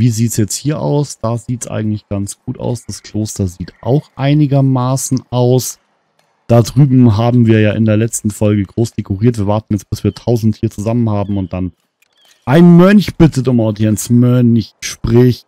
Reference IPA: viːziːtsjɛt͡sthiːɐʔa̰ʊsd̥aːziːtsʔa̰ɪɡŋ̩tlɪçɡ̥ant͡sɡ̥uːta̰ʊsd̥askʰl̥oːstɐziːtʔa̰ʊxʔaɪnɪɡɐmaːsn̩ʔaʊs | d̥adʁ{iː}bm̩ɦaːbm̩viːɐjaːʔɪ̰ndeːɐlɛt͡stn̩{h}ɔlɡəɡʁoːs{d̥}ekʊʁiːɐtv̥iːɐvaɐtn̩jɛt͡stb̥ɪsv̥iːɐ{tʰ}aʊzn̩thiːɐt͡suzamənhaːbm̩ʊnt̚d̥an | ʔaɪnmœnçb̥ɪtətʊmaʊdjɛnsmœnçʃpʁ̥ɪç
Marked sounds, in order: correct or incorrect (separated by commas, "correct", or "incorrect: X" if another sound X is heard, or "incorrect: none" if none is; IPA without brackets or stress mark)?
incorrect: yː, incorrect: f, correct, correct